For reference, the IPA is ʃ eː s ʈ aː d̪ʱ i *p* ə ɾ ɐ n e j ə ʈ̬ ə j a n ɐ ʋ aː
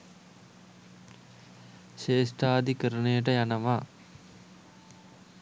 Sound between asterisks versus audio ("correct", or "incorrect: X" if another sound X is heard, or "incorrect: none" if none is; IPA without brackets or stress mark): incorrect: k